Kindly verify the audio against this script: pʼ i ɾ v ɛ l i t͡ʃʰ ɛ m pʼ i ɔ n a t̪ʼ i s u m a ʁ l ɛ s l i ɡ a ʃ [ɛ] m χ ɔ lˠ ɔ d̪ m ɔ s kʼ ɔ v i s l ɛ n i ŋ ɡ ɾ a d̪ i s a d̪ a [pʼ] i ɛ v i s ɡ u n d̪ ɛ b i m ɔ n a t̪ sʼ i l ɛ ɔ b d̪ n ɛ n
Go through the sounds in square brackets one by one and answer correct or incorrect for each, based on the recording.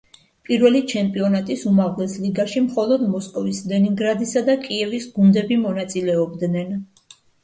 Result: incorrect: i, incorrect: kʼ

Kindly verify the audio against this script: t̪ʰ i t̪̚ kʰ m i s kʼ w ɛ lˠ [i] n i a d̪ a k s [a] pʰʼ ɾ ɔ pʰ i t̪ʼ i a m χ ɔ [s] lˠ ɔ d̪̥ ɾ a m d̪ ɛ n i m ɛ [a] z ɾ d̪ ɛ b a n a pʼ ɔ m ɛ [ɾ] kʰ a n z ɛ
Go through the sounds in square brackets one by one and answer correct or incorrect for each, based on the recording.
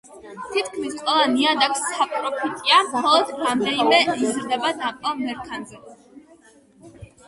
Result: incorrect: a, correct, incorrect: none, incorrect: i, correct

